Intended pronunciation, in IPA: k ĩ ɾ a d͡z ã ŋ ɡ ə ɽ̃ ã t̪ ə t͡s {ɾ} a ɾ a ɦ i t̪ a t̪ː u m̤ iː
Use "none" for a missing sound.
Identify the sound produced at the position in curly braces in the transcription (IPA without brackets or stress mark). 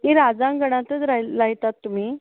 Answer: ɾ